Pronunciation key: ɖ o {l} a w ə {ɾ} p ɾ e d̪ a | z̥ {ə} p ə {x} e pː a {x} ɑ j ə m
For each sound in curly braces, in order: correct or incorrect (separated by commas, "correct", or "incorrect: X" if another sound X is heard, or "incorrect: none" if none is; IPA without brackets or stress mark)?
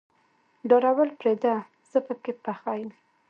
incorrect: ɾ, incorrect: l, correct, incorrect: k, correct